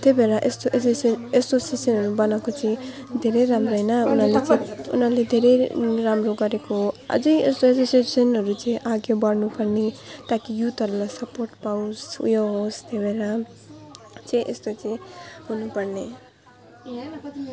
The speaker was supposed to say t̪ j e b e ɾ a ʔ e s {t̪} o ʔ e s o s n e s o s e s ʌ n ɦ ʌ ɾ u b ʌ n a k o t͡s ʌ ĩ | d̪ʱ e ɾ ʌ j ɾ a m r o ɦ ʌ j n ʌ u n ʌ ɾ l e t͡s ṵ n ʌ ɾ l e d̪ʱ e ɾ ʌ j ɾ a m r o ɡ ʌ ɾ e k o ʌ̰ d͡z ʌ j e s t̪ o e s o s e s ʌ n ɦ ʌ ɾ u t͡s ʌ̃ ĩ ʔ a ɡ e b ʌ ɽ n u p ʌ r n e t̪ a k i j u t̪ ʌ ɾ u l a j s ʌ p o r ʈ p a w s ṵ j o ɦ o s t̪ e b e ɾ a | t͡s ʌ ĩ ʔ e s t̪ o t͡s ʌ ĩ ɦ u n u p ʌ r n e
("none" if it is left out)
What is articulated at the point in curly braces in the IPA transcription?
t̪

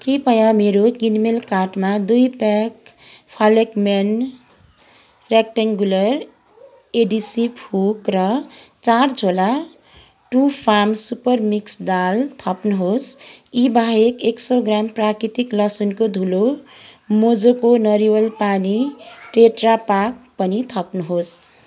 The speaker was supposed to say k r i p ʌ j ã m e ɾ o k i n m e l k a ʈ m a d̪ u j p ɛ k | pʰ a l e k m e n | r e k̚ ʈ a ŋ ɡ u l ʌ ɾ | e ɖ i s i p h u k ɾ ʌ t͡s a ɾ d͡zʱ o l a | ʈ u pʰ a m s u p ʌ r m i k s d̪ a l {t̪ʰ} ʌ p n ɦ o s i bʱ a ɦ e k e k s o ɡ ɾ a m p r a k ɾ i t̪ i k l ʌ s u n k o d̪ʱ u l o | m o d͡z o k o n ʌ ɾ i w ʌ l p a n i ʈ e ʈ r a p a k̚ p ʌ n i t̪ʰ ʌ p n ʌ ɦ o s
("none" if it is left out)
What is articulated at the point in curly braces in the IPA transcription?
t̪ʰ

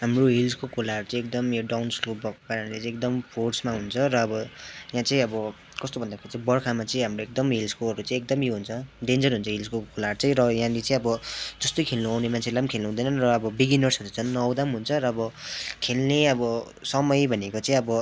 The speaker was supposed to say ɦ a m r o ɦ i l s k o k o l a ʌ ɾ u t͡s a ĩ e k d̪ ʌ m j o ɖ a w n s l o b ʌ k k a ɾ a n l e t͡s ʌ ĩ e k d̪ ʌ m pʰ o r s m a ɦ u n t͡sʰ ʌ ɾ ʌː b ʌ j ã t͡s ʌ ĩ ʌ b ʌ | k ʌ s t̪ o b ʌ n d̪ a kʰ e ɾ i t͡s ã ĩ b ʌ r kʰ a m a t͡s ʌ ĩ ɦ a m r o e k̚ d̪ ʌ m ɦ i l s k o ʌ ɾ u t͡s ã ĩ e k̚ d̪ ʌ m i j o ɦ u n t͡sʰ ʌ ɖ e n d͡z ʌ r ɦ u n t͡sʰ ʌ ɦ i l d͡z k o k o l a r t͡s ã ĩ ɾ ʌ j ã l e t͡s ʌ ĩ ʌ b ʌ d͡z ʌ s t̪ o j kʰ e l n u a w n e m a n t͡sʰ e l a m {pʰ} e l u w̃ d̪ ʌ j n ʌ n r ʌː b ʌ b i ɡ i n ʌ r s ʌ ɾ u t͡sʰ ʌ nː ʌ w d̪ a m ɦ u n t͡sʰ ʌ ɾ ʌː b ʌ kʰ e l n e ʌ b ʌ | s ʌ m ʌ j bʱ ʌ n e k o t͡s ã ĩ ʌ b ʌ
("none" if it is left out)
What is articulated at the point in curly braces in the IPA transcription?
kʰ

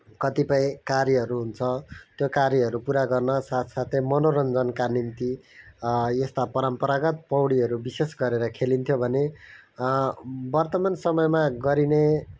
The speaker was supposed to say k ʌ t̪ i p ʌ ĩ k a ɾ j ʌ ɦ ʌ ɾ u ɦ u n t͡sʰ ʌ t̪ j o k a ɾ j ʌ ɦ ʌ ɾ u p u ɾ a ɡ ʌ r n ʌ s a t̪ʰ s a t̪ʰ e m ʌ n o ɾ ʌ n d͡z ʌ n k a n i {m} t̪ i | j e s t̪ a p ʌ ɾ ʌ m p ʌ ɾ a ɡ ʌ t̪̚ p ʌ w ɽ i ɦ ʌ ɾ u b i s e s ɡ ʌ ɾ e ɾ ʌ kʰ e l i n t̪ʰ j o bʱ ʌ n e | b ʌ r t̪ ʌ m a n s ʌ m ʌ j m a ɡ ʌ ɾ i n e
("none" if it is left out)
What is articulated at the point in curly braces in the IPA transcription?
n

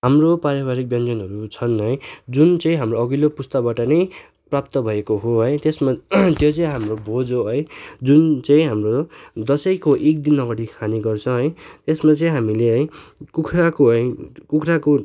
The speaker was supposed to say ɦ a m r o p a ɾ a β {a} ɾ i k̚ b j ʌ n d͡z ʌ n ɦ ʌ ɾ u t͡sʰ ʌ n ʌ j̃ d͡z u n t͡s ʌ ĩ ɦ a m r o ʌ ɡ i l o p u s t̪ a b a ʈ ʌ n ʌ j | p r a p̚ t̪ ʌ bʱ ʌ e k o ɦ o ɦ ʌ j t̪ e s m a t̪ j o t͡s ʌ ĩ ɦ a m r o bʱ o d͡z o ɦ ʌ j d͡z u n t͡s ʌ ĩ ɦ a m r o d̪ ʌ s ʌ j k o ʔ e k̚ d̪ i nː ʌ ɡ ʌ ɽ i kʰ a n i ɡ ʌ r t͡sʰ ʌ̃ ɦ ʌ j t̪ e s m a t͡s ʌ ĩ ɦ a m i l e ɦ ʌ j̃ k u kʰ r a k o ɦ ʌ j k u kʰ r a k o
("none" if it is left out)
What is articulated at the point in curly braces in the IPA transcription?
a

